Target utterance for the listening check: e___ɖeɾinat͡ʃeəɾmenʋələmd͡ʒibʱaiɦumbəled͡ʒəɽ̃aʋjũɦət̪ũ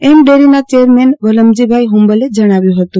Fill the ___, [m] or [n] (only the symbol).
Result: m